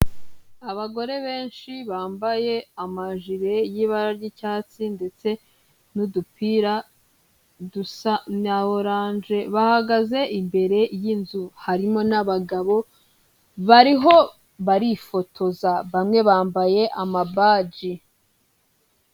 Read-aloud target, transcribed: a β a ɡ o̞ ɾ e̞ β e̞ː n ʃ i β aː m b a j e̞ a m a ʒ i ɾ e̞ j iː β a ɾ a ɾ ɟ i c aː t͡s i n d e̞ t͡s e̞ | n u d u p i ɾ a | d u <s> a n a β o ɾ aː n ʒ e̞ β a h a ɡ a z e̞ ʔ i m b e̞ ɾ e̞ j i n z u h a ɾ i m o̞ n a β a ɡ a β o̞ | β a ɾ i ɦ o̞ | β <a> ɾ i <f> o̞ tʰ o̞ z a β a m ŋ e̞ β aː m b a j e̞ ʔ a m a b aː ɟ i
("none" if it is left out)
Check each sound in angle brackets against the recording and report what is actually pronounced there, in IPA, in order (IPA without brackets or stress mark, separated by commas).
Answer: s, a, f